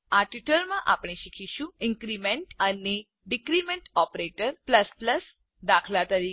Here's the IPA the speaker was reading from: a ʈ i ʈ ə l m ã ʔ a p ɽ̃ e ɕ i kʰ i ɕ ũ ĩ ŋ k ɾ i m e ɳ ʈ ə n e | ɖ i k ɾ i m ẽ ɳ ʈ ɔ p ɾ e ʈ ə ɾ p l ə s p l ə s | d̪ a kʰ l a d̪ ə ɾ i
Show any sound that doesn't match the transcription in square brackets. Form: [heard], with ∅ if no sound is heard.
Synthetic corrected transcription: a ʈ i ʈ ə l m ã ʔ a p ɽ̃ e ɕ i kʰ i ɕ ũ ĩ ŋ k ɾ i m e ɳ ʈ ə n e | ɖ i k ɾ i m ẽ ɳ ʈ ɔ p ɾ e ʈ ə ɾ p l ə s p l ə s | d̪ a kʰ l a [t̪] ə ɾ i